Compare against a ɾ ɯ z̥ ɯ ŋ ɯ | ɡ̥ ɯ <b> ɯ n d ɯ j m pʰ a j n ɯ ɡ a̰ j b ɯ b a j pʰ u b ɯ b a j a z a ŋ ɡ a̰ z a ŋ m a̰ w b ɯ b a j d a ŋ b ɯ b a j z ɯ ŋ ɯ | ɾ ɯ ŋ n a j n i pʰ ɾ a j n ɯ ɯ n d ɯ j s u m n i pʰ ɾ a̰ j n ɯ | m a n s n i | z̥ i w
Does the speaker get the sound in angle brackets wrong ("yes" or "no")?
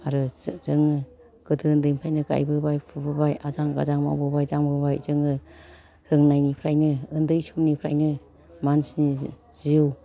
yes